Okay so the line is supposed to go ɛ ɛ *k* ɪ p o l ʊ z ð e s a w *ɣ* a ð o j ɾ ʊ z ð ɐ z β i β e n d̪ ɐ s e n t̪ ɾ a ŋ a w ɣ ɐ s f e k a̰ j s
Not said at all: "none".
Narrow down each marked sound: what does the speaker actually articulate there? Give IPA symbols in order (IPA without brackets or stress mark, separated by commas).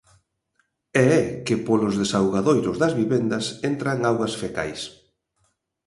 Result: k, ɣ